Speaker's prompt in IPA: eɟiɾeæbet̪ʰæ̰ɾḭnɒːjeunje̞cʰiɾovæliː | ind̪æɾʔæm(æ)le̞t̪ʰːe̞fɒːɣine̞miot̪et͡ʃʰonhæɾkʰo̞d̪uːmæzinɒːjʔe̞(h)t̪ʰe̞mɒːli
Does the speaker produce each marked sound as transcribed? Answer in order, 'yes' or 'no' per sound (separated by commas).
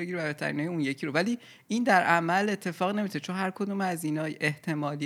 yes, yes